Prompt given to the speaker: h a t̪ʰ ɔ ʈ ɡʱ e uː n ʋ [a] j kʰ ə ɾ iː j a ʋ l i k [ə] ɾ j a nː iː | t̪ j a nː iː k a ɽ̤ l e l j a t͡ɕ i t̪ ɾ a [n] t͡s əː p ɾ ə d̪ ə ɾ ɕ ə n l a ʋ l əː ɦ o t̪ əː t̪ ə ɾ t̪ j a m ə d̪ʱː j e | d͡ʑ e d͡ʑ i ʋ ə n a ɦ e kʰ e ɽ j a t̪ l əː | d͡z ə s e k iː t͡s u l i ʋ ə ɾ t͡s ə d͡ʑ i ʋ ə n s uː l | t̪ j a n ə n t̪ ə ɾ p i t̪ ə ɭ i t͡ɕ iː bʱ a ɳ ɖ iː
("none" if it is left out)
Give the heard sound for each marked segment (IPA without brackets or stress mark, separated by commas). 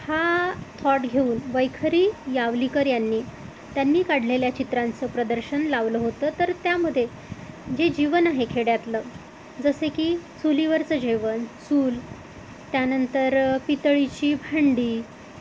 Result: ə, ə, n